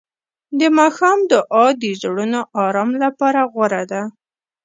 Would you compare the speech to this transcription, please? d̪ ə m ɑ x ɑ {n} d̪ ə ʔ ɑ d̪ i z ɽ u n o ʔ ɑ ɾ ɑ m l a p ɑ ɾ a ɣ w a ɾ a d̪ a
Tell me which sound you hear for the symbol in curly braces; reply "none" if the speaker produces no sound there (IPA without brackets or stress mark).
m